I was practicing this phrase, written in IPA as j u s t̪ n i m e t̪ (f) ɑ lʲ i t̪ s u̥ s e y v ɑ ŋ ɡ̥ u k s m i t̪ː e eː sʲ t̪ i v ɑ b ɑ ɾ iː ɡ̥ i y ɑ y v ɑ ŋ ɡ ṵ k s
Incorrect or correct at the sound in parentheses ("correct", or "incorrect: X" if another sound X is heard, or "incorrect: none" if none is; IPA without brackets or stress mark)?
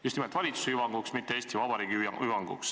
incorrect: v